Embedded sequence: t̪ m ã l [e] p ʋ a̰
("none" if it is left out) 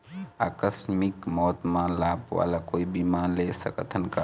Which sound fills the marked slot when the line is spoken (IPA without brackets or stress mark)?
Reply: a